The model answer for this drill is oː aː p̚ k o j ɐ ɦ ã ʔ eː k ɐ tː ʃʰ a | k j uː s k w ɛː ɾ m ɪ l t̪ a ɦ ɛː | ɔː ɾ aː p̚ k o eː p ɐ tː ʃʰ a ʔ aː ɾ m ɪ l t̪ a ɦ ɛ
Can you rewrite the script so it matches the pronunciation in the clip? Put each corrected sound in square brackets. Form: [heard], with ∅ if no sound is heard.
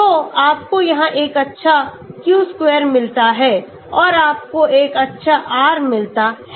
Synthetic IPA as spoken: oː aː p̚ k o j ɐ ɦ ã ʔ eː k ɐ tː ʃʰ a | k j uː s k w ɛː ɾ m ɪ l t̪ a ɦ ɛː | ɔː ɾ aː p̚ k o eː [k] ɐ tː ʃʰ a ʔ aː ɾ m ɪ l t̪ a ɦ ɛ